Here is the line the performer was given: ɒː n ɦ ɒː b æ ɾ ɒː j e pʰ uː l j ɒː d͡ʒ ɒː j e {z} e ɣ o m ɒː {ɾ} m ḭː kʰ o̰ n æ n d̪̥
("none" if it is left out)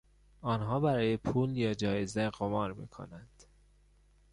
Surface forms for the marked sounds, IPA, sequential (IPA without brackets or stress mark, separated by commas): z, ɾ